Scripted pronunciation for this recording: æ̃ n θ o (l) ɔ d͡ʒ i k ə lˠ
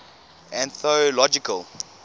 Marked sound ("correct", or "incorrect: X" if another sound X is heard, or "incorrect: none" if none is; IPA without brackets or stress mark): correct